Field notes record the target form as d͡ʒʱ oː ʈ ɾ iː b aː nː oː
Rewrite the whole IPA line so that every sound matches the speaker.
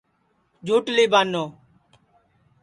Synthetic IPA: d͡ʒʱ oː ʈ l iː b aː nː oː